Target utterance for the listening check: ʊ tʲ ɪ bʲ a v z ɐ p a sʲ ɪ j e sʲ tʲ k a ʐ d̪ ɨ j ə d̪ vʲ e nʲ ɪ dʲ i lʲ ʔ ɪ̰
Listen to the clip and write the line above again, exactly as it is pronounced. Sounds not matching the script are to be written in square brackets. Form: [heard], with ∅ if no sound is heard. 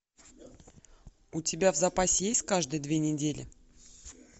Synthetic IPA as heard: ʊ tʲ ɪ bʲ a v z ɐ p a sʲ ɪ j e sʲ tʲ k a ʐ d̪ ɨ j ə d̪ vʲ e nʲ ɪ dʲ [e] lʲ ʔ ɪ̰